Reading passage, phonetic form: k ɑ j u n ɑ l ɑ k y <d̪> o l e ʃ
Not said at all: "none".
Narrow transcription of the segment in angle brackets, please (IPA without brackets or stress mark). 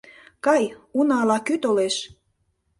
t̪